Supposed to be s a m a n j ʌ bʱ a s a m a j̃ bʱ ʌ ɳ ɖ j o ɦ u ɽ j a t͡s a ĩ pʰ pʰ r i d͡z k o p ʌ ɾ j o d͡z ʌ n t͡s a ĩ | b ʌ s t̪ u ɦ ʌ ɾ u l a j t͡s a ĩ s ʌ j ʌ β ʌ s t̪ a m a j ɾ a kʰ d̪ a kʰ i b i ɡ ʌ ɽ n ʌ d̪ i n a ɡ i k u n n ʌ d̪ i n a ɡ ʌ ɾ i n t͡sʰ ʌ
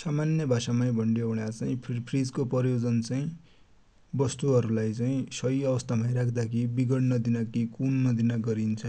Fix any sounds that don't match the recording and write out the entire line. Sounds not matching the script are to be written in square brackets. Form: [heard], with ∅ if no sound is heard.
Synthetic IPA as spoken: s a m a n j ʌ bʱ a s a m a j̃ bʱ ʌ ɳ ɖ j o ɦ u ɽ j a t͡s a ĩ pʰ pʰ r i d͡z k o p ʌ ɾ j o d͡z ʌ n t͡s a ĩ | b ʌ s t̪ u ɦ ʌ ɾ u l a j t͡s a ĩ s ʌ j ʌ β ʌ s t̪ a m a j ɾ a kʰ d̪ a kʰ i b i ɡ ʌ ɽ n ʌ d̪ i n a [k] i k u n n ʌ d̪ i n a ɡ ʌ ɾ i n t͡sʰ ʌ